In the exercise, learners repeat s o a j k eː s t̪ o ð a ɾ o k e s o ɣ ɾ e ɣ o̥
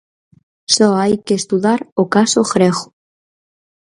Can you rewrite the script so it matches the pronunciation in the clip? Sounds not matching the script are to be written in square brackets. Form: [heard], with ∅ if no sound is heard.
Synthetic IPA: s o a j k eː s t̪ [u] ð a ɾ o k [a] s o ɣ ɾ e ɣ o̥